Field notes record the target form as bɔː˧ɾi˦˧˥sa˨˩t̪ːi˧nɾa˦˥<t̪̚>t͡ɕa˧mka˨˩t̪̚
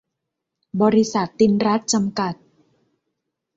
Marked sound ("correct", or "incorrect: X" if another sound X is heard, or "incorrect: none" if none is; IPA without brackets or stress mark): correct